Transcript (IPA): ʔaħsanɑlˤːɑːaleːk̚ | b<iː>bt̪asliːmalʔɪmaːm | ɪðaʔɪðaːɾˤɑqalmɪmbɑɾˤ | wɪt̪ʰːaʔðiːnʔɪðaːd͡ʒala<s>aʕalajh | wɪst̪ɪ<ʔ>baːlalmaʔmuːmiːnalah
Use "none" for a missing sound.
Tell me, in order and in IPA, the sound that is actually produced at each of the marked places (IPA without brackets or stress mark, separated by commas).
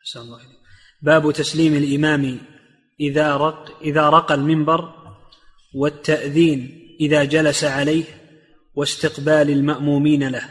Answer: aː, s, q